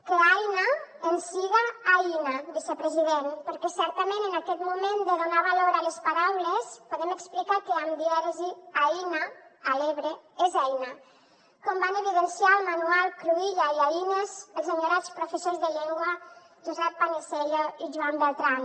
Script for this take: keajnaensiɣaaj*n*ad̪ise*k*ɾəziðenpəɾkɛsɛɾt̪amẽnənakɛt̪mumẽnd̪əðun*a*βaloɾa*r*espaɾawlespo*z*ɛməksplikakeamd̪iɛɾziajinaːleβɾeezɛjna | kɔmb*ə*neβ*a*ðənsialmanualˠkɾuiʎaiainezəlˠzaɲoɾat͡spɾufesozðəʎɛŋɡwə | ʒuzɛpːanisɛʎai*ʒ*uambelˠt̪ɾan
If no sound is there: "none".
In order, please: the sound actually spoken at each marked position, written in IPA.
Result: n, p, a, l, ð, a, i, ʒ

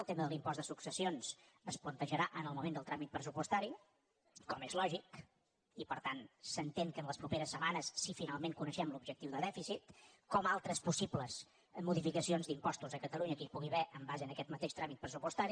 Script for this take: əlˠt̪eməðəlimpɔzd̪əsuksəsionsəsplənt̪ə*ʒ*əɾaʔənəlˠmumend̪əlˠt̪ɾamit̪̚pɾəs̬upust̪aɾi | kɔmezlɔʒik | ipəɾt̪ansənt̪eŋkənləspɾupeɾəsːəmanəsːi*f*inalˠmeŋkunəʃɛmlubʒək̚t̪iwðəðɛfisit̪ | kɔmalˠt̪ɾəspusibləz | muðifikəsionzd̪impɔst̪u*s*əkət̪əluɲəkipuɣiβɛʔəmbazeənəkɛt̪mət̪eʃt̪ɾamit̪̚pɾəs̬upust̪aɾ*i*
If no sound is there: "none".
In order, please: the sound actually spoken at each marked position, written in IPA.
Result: ʒ, f, z, i

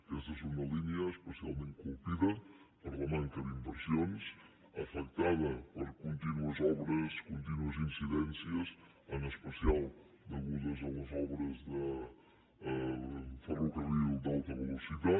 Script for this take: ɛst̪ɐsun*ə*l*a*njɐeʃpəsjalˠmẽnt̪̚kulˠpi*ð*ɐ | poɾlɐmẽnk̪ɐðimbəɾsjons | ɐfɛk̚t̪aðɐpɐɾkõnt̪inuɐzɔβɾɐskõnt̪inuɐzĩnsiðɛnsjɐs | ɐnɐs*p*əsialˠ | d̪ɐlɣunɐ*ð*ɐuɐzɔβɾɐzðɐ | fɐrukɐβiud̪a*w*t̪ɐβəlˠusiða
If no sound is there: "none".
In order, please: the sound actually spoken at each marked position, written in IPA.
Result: ɐ, i, ð, p, z, w

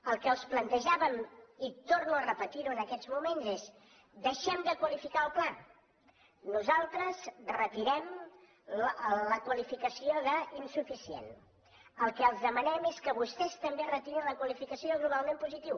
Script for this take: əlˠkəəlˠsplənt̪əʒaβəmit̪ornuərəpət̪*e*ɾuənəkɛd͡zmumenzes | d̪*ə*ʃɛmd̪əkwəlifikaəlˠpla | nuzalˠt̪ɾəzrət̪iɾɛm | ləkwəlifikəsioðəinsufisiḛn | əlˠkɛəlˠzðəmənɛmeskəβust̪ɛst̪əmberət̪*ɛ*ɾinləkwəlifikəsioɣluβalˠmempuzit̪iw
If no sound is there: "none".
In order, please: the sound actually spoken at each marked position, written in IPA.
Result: i, ə, i

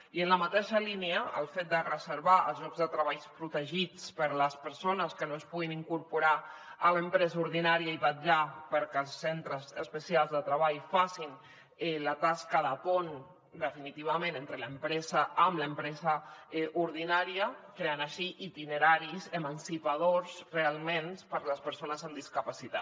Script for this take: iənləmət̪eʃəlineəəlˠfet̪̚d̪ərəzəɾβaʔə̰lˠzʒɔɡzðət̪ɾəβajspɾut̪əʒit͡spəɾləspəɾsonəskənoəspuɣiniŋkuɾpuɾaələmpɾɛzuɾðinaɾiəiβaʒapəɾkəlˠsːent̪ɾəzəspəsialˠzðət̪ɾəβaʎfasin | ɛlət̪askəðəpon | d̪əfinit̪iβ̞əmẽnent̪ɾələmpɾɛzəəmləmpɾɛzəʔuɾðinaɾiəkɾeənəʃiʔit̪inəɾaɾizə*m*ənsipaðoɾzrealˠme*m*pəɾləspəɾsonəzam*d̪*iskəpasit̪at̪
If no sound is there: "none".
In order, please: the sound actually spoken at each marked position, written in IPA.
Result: m, n, d̪

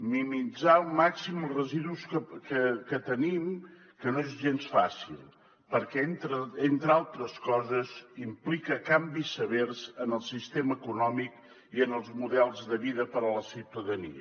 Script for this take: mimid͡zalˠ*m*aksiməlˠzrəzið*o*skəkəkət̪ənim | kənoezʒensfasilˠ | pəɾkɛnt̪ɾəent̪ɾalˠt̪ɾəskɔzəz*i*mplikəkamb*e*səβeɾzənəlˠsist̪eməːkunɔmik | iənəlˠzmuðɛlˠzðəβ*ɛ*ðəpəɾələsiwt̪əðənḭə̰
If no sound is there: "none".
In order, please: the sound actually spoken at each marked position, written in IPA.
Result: m, u, i, i, i

